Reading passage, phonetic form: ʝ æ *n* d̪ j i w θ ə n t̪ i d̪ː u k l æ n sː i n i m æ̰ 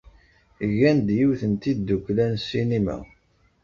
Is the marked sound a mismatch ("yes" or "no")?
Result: no